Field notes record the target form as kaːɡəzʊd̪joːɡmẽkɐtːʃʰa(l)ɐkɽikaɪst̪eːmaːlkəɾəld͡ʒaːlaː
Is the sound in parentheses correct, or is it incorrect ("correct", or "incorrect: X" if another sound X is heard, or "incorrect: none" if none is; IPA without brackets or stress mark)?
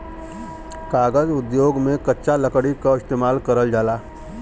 correct